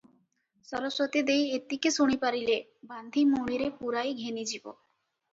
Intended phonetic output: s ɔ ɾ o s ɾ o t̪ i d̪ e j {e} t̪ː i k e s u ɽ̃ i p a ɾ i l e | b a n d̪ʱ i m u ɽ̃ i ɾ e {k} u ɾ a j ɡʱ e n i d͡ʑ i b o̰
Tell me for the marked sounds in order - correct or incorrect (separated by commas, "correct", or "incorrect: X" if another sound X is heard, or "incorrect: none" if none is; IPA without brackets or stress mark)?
correct, incorrect: p